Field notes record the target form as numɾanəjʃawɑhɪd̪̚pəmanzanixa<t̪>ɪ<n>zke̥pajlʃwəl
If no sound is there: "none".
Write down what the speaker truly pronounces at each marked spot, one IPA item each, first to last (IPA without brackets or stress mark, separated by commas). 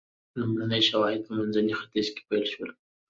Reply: t̪, none